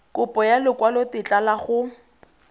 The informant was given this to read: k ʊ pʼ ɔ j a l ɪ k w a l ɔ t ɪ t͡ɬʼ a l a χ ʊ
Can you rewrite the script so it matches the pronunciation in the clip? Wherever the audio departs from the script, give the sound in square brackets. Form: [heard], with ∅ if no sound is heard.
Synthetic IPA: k ʊ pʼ ɔ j a l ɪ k w a l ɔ t ɪ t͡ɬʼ a l a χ ʊ